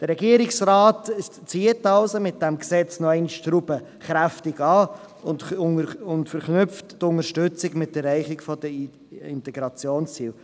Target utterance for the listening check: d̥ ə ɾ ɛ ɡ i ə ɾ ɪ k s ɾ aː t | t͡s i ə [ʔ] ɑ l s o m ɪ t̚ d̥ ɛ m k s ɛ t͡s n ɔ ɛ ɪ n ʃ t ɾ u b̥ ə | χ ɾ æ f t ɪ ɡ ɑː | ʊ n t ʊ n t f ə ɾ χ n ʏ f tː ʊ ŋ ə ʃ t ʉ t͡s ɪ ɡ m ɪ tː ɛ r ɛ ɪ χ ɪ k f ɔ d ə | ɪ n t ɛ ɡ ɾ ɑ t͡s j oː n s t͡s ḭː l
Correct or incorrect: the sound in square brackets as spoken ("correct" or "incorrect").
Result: incorrect